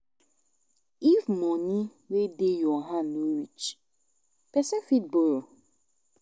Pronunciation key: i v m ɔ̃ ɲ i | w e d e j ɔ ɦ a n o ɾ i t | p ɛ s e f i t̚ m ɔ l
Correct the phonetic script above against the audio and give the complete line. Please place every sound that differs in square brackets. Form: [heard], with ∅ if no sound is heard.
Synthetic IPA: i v m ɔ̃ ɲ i | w e d e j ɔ ɦ a n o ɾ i [t͡ʃ] | p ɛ s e f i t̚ [b] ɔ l